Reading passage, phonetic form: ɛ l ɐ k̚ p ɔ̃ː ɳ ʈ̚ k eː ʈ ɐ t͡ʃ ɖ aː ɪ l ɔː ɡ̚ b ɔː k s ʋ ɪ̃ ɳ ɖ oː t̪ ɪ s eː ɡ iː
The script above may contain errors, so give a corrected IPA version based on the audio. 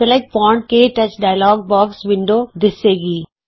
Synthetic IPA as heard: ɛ l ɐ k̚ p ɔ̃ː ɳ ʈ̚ k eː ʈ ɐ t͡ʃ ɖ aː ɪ l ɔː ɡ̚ b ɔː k s ʋ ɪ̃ ɳ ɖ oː d̪ ɪ s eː ɡ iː